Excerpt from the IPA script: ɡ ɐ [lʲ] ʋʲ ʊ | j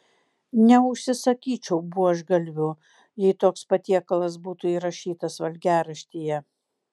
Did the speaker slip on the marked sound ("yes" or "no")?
no